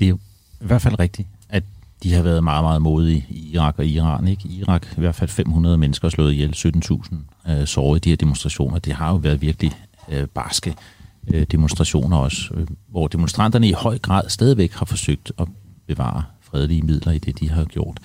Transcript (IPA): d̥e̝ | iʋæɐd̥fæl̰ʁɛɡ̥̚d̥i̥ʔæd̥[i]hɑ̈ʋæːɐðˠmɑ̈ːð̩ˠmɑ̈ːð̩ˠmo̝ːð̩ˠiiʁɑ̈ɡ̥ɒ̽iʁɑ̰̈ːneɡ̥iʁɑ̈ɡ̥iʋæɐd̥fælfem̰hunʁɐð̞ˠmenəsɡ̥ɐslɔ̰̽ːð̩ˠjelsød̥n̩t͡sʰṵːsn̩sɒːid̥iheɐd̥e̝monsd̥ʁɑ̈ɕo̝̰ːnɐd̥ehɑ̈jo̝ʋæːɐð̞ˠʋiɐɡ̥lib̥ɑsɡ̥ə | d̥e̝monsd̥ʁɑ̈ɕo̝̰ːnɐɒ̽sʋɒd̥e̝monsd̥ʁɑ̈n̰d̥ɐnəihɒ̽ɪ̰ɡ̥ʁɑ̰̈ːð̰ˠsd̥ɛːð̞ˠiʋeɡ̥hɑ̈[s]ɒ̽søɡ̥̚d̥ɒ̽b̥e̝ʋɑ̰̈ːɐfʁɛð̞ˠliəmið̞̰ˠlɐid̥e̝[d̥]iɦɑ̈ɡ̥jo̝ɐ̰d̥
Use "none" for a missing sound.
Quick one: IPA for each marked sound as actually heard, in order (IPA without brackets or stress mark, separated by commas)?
i, f, d̥